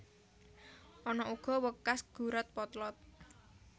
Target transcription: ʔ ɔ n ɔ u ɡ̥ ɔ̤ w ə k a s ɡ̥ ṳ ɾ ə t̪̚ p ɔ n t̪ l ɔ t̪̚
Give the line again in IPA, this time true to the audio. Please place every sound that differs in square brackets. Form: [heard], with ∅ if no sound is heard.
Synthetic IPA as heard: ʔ ɔ n ɔ u ɡ̥ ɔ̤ w ə k a s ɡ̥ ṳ ɾ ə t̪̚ p ɔ [∅] t̪ l ɔ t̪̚